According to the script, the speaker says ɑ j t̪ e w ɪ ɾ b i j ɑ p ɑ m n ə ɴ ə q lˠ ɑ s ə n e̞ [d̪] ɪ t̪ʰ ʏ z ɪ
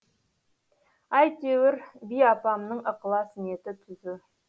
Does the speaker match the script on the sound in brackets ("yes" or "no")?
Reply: no